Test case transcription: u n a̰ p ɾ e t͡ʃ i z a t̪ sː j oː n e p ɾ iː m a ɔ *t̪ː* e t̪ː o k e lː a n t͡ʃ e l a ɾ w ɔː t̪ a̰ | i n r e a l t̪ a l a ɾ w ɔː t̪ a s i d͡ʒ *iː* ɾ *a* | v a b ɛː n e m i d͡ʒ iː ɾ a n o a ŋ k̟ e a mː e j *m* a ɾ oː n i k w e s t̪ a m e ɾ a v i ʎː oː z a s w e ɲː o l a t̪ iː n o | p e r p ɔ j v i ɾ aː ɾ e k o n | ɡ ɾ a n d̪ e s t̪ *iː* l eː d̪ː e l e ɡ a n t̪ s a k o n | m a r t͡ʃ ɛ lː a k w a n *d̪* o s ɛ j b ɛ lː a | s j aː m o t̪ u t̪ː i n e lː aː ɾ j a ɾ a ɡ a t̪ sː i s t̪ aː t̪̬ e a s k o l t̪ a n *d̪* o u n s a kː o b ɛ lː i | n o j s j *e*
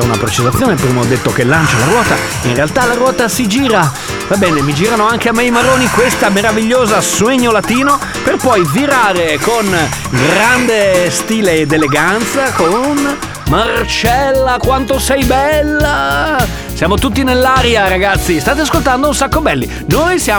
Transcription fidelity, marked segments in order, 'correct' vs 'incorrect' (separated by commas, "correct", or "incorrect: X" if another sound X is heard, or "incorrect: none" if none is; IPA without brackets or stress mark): incorrect: d̪ː, correct, correct, correct, correct, incorrect: t̪, correct, incorrect: a